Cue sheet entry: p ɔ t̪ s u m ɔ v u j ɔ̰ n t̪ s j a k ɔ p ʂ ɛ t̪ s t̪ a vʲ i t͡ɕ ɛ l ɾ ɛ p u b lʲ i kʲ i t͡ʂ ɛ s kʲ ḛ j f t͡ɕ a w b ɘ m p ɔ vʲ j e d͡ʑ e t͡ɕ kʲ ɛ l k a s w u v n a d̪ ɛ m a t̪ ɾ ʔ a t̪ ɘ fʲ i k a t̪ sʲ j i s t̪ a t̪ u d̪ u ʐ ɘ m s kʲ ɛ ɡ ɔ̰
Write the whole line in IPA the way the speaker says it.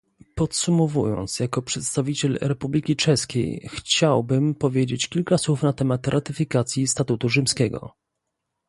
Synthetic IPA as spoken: p ɔ t̪ s u m ɔ v u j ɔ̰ n t̪ s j a k ɔ p ʂ ɛ t̪ s t̪ a vʲ i t͡ɕ ɛ l ɾ ɛ p u b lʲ i kʲ i t͡ʂ ɛ s kʲ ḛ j x t͡ɕ a w b ɘ m p ɔ vʲ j e d͡ʑ e t͡ɕ kʲ i l k a s w u f n a t̪ ɛ m a t̪ ɾ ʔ a t̪ ɘ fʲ i k a t̪ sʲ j i s t̪ a t̪ u t̪ u ʐ ɘ m s kʲ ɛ ɡ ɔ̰